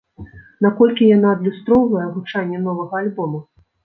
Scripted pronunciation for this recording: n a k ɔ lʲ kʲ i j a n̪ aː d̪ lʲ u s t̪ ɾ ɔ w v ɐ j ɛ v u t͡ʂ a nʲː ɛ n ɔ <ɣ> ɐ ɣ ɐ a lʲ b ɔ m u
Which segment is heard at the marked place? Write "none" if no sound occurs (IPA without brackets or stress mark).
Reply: v